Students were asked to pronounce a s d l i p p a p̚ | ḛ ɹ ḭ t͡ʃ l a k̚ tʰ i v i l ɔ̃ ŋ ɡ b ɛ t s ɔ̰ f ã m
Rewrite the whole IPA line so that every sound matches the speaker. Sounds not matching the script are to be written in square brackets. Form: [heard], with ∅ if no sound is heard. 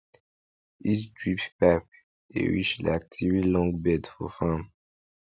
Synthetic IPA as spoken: [i] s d [ɹ] i p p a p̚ | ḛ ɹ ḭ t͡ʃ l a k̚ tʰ i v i l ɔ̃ ŋ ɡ b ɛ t [f] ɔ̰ f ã m